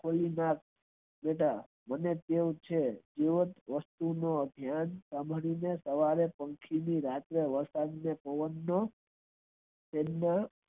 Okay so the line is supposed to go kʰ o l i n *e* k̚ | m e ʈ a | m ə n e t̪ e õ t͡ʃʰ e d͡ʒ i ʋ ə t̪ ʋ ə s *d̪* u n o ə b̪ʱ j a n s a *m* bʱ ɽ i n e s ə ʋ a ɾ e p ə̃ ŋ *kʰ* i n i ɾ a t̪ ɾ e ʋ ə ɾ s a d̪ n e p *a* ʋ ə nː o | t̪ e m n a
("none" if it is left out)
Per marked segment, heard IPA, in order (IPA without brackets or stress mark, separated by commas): a, t̪, m, kʰ, ə